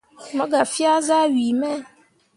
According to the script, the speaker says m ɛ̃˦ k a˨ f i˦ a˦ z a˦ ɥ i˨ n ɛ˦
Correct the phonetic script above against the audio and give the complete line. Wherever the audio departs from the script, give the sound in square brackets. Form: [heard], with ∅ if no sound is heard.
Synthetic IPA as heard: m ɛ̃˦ [ɡ] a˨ f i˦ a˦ z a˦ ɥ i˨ [m] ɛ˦